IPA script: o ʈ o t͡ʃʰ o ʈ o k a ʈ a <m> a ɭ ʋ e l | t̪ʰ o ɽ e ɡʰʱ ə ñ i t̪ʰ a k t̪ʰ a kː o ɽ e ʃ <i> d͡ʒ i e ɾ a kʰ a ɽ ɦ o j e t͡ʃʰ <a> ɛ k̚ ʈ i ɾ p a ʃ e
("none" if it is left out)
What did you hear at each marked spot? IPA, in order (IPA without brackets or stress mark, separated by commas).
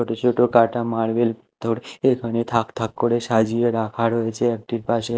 m, a, e